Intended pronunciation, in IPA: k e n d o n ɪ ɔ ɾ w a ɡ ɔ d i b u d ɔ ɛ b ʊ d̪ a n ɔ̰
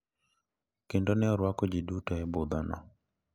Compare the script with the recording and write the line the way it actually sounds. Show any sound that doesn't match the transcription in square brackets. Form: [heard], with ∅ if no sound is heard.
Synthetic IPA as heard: k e n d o n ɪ ɔ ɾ w a [k] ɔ [d͡ʒ] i [d] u [t] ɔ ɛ b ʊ d̪ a n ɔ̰